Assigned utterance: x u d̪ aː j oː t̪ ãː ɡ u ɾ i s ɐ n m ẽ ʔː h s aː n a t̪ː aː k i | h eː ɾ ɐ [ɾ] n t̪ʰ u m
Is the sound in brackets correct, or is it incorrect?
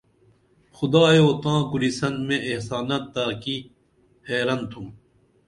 incorrect